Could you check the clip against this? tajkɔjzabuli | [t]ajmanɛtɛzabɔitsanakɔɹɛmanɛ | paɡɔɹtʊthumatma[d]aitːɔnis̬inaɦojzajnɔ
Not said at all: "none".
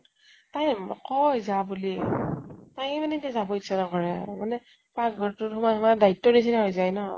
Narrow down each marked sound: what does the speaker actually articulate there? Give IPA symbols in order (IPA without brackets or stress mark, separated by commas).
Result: t, d